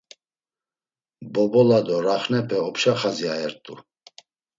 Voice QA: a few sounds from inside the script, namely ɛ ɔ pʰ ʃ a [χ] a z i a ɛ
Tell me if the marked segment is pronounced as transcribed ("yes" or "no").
yes